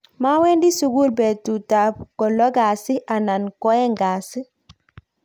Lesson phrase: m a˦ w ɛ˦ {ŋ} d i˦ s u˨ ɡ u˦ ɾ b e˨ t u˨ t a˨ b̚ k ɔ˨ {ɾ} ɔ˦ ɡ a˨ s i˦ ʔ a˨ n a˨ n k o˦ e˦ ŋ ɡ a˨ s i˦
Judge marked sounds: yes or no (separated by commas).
no, no